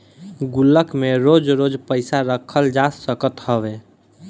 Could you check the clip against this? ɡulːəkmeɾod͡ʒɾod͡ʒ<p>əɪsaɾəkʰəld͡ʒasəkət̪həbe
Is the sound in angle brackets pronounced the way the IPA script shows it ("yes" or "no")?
yes